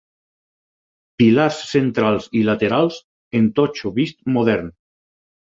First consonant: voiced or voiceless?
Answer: voiceless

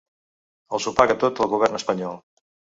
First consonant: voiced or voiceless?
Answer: voiced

